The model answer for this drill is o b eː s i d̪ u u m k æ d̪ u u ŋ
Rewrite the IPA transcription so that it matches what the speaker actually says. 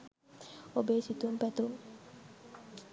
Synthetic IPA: o b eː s i t̪ u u m p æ t̪ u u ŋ